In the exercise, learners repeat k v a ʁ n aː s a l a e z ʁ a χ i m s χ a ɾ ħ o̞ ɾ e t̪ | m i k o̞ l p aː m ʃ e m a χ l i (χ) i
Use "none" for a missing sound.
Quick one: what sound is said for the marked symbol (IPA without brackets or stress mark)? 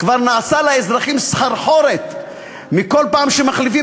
f